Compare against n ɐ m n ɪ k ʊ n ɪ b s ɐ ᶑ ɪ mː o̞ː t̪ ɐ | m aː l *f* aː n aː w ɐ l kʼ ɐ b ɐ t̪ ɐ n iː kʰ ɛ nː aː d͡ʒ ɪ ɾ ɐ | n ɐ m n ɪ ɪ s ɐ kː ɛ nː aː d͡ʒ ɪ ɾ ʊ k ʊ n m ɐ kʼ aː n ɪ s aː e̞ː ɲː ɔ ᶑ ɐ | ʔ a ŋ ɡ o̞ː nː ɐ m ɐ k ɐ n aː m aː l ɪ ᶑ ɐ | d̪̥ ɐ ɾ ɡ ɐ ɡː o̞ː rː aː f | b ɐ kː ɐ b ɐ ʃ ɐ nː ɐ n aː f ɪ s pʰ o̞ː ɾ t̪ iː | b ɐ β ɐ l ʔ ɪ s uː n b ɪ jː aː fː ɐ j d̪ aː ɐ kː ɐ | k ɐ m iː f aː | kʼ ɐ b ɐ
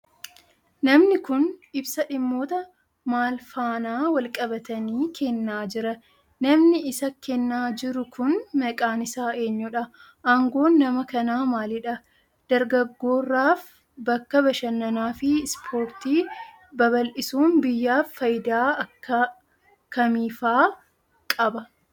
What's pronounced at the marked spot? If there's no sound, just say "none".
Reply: f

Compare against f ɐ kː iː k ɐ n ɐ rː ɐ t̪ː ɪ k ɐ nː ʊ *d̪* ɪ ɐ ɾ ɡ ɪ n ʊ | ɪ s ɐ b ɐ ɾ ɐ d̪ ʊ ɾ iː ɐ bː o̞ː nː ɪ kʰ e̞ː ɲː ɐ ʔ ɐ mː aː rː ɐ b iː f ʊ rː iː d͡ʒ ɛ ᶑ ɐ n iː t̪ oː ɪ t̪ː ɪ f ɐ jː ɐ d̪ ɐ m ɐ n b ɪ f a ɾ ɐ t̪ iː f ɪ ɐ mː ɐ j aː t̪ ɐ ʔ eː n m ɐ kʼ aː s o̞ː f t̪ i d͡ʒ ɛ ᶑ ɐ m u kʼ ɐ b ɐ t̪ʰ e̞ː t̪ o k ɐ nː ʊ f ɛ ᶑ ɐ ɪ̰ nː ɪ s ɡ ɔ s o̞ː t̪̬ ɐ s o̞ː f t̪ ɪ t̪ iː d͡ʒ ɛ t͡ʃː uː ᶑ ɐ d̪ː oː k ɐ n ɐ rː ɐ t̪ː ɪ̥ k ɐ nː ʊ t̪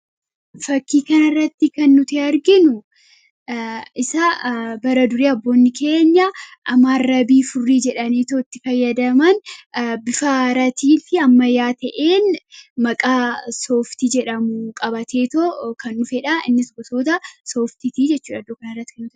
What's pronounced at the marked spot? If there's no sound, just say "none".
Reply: t̪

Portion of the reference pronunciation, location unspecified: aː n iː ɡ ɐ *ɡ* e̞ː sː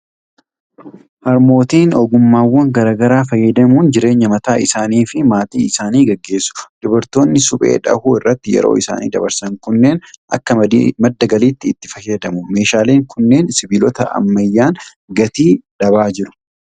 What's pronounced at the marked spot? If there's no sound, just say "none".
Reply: ɡː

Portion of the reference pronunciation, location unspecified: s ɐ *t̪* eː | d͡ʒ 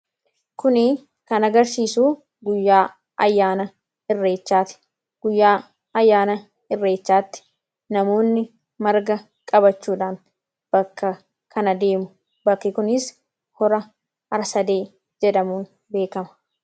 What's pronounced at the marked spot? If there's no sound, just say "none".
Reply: d̪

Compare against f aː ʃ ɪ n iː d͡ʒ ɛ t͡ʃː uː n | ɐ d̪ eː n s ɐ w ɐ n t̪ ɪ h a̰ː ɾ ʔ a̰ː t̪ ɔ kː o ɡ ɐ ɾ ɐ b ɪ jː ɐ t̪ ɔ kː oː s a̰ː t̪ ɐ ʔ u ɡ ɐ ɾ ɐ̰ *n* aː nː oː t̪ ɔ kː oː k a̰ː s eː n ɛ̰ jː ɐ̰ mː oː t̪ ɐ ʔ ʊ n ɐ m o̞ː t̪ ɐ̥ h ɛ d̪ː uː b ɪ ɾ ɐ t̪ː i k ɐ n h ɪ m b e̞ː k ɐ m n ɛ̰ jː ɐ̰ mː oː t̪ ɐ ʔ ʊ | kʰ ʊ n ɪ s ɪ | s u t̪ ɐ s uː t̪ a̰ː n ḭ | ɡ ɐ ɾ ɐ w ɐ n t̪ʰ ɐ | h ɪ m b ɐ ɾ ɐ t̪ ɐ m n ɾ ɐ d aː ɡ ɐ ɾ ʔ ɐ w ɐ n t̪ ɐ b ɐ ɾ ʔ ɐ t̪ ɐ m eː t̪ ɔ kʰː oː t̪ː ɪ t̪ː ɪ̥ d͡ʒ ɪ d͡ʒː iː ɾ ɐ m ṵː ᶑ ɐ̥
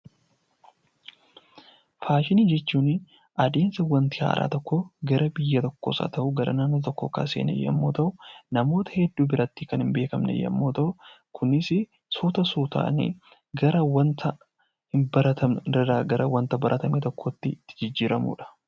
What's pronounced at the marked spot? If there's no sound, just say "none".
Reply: n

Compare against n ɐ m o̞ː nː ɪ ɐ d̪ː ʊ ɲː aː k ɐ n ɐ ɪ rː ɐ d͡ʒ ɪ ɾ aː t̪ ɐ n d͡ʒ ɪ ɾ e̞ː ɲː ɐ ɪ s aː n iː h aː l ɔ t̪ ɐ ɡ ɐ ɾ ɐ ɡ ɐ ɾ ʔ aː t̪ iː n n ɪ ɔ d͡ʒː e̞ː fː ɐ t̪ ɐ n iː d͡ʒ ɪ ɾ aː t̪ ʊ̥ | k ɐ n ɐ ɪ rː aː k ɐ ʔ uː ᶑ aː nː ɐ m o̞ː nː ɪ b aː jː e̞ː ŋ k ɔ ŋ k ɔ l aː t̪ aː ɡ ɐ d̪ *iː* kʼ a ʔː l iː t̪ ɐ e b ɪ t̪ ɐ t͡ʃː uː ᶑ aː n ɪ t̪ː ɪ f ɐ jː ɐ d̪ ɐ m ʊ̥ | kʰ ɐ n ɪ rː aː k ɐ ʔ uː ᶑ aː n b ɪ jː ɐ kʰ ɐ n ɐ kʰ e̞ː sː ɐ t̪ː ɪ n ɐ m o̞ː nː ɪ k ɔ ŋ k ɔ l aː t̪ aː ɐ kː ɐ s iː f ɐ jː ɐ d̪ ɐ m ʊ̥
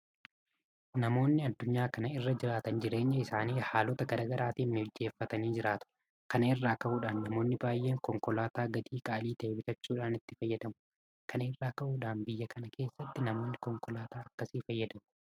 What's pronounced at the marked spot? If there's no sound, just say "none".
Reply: iː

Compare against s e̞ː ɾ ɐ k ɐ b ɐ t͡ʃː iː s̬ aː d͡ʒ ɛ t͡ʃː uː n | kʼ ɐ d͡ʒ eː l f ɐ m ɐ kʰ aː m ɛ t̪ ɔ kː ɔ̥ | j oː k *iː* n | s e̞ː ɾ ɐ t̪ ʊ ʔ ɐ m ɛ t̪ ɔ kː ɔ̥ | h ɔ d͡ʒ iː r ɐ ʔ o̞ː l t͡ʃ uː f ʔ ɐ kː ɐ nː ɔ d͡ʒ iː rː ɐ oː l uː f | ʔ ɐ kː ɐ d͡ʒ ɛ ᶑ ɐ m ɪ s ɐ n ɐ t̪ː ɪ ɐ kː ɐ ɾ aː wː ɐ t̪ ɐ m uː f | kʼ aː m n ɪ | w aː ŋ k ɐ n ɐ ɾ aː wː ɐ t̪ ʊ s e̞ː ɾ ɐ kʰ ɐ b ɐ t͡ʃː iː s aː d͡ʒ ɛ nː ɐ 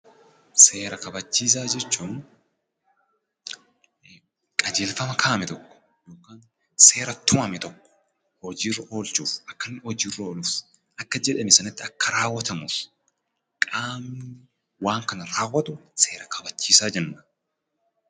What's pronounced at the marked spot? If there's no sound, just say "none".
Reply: aː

